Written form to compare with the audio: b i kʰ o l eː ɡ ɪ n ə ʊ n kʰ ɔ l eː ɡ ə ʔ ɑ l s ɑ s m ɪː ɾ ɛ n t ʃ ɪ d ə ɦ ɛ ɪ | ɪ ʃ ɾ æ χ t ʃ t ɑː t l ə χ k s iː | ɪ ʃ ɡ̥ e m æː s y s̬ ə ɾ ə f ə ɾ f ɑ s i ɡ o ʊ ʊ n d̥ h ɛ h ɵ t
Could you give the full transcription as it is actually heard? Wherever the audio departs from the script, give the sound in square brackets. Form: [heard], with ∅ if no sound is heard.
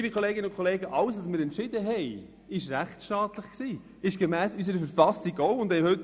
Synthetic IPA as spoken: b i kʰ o l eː ɡ ɪ n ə ʊ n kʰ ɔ l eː ɡ ə ʔ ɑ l s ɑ s m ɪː ɾ ɛ n t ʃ ɪ d ə ɦ ɛ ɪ | ɪ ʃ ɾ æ χ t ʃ t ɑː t l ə χ k s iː | ɪ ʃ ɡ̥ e m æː s y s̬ ə ɾ ə f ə ɾ f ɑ s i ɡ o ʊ ʊ n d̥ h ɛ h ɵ t